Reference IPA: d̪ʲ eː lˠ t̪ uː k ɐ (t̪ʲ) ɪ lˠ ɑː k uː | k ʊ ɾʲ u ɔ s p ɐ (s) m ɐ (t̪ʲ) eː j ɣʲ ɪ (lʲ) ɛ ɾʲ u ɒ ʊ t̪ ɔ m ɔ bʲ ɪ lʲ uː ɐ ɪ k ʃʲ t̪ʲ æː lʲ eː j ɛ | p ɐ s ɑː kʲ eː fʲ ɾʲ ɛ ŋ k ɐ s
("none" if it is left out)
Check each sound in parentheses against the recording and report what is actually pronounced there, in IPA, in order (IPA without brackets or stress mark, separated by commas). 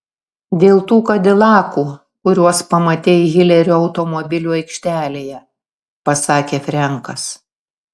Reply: d̪ʲ, none, t̪ʲ, lʲ